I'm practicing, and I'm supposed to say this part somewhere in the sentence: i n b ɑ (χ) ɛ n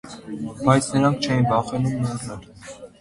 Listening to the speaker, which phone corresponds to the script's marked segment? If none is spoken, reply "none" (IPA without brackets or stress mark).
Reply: χ